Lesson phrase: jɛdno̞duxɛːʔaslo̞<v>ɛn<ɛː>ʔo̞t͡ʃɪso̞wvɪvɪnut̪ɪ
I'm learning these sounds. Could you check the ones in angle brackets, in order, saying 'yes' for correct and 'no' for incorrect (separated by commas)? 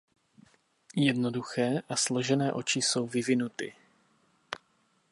no, yes